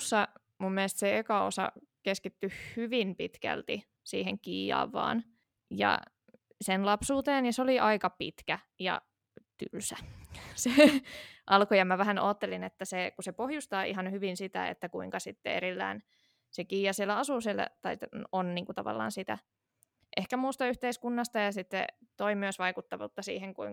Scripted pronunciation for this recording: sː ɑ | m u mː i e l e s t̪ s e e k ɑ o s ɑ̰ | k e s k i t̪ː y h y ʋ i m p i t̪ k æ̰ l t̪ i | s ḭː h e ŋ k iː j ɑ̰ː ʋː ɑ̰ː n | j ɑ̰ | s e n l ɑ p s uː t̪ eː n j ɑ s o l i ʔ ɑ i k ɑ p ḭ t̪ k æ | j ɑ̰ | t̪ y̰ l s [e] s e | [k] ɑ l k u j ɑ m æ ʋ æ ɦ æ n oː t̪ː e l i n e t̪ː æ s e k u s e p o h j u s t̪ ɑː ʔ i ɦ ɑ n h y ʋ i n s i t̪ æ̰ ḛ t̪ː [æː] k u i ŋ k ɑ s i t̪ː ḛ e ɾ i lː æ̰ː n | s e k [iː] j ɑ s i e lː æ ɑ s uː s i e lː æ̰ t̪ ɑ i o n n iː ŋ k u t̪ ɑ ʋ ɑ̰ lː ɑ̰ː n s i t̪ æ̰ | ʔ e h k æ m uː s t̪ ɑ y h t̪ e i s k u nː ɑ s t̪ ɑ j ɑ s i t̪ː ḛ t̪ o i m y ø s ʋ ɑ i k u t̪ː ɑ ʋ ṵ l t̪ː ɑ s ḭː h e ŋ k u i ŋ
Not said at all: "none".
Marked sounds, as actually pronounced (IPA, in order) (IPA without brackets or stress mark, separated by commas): æ, ʔ, æ, iː